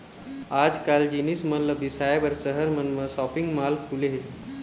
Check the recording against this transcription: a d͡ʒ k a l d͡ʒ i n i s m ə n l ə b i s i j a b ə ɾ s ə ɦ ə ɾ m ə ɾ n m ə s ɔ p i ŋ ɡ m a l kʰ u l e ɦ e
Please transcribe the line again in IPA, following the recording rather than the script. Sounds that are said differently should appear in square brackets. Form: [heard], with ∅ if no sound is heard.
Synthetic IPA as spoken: a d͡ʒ k a l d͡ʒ i n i s m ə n l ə b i s [a] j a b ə ɾ s ə ɦ ə ɾ m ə [∅] n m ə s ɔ p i ŋ ɡ m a l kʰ u l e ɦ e